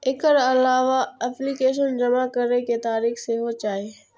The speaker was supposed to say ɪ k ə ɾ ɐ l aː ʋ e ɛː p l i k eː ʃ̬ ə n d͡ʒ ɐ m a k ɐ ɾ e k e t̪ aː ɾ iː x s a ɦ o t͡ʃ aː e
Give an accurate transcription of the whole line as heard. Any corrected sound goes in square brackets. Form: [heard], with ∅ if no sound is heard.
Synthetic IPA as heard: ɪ k ə ɾ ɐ l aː ʋ [a] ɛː p l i k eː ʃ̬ ə n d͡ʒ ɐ m a k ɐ ɾ e k e t̪ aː ɾ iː x s [e] ɦ o t͡ʃ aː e